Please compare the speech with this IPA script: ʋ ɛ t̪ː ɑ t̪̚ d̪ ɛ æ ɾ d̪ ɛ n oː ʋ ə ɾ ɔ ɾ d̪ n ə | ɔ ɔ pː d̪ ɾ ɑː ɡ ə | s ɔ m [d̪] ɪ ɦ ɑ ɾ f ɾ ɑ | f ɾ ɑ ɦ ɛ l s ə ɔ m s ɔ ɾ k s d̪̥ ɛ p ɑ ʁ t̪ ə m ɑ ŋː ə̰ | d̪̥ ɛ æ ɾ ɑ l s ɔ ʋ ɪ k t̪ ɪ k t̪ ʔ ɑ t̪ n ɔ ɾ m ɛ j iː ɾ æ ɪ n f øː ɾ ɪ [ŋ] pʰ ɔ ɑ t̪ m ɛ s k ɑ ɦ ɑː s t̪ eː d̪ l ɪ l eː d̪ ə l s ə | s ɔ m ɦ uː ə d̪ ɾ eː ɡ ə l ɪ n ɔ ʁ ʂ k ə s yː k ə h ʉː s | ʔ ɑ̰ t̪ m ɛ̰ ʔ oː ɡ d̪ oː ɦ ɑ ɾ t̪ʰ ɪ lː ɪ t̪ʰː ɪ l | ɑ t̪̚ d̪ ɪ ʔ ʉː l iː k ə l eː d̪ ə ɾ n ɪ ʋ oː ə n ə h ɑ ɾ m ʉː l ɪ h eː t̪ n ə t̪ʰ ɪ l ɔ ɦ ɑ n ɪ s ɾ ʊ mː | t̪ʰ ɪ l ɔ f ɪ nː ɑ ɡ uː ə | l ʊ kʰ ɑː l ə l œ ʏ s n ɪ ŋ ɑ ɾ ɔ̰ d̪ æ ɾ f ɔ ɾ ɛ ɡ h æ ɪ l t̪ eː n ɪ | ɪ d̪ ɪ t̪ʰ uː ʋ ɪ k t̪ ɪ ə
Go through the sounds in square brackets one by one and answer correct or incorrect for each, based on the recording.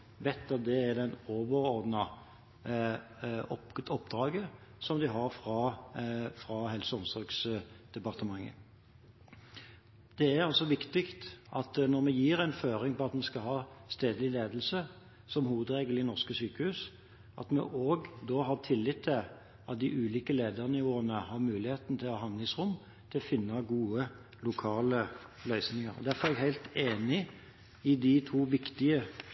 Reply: correct, correct

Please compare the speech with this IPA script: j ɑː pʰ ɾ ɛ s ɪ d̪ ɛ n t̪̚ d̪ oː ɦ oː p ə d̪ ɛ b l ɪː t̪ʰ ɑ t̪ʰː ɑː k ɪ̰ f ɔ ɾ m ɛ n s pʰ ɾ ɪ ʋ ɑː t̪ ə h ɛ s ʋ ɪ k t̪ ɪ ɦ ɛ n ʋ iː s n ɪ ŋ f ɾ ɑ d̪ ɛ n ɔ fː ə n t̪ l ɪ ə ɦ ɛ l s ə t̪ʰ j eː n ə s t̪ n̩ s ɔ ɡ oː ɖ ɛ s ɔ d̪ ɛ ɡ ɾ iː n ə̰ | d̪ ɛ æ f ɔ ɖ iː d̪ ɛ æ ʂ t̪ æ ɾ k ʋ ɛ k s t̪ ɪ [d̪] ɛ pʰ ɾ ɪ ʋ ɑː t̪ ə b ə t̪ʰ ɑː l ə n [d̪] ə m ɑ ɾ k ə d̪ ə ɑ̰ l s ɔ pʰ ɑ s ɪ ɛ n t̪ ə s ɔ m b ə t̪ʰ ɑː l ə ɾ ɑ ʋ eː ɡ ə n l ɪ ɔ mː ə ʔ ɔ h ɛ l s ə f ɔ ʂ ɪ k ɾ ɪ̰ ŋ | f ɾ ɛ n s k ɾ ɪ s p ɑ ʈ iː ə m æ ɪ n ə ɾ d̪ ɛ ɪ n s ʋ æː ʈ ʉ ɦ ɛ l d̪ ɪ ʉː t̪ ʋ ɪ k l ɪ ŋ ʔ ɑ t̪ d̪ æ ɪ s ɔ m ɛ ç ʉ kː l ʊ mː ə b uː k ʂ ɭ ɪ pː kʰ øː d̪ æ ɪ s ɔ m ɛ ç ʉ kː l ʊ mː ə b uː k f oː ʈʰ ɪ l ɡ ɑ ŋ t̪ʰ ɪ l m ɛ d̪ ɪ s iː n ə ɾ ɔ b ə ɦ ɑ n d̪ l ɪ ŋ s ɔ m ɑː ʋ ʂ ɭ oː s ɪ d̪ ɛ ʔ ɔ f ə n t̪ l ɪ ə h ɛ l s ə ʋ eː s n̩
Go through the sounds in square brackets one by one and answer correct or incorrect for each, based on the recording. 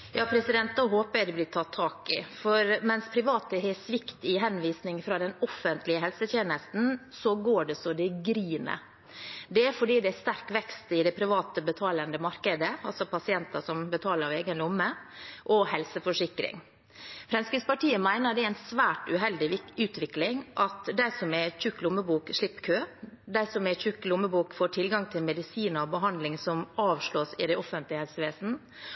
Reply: correct, correct

